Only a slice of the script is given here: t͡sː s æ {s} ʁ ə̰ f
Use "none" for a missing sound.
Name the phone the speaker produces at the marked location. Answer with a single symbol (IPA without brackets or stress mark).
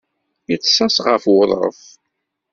s